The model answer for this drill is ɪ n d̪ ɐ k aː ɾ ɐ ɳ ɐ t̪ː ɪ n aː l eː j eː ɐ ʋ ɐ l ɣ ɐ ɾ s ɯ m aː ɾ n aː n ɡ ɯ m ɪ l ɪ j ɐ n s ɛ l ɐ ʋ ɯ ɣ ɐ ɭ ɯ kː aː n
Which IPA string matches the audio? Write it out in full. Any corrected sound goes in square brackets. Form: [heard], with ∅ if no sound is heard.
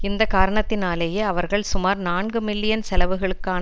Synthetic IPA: ɪ n d̪ ɐ k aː ɾ ɐ ɳ ɐ t̪ː ɪ n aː l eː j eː ɐ ʋ ɐ [ɾ] ɣ ɐ [ɭ] s [ʊ] m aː ɾ n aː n ɡ ɯ m ɪ [lː] ɪ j ɐ n s ɛ l ɐ ʋ ɯ ɣ ɐ ɭ ɯ kː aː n